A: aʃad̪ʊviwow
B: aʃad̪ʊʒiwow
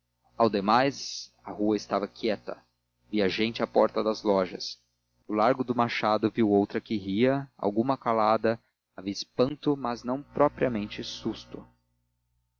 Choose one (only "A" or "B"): A